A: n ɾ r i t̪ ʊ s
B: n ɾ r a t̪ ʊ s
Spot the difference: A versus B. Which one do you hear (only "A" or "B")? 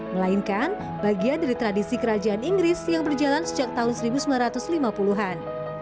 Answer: B